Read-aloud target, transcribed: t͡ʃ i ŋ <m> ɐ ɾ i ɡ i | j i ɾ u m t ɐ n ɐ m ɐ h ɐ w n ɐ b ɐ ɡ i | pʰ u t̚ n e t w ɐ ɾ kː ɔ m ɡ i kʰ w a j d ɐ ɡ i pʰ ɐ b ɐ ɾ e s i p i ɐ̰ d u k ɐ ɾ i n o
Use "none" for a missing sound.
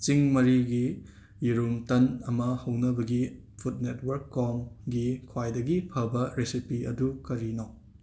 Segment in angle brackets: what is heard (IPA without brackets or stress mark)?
m